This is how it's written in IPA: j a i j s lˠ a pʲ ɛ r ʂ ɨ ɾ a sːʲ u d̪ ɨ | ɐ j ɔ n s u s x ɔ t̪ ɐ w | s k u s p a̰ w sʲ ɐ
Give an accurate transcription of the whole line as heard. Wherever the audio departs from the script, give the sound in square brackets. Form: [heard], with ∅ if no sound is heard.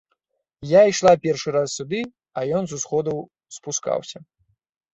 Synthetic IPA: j a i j [ʂ] lˠ a pʲ ɛ r ʂ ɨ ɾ a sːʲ u d̪ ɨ | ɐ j ɔ n [z] u s x ɔ [d̪] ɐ w | s [p] u s [k] a̰ w sʲ ɐ